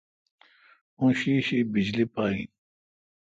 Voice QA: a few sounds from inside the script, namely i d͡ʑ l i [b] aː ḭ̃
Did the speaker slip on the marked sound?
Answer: yes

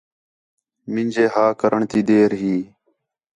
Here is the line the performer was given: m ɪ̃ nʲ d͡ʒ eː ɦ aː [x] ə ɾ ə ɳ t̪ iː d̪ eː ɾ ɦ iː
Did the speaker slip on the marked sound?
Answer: yes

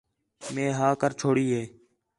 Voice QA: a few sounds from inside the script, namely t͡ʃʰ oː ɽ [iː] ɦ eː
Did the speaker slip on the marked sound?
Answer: no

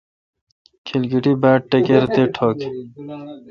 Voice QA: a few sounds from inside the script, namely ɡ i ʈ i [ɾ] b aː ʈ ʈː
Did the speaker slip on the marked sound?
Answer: yes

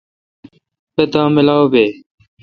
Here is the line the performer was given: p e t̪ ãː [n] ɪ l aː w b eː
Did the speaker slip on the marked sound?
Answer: yes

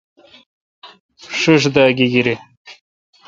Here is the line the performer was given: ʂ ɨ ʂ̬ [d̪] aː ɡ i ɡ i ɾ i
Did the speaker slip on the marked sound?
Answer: no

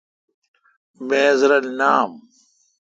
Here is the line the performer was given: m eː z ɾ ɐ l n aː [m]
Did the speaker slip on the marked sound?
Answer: no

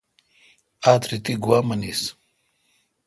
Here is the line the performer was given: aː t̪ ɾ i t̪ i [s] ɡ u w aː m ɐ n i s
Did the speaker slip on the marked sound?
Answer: yes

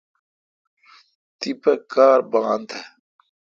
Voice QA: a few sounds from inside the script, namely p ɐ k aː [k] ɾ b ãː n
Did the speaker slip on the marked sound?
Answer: yes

